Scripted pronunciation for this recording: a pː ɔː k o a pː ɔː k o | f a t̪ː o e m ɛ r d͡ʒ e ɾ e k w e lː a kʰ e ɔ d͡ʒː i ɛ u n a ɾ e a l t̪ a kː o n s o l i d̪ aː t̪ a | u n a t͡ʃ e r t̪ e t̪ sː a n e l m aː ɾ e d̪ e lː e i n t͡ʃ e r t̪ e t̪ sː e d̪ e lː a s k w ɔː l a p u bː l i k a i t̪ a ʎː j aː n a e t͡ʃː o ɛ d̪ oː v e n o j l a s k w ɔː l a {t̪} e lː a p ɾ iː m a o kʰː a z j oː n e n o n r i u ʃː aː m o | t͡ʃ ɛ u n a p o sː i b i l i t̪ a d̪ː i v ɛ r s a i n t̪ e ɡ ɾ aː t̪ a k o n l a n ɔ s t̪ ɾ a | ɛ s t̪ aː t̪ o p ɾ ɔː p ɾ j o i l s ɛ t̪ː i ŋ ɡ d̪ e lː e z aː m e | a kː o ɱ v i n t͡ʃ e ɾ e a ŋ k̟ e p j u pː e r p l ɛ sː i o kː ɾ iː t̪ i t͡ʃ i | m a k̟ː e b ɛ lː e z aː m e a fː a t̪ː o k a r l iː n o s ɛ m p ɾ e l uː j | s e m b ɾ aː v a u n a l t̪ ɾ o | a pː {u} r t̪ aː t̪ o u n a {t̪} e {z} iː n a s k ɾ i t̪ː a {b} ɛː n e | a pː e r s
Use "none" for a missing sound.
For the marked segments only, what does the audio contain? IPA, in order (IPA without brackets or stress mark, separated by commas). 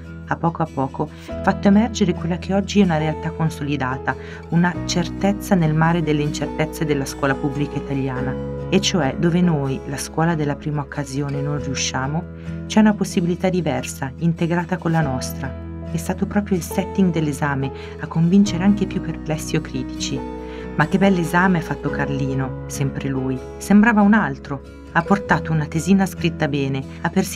d̪, o, t̪, z, b